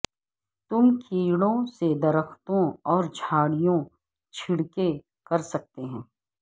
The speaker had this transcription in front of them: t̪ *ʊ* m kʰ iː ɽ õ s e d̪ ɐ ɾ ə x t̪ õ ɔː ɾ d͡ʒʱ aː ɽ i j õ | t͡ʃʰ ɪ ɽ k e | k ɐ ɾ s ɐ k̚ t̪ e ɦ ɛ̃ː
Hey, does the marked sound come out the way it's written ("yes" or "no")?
yes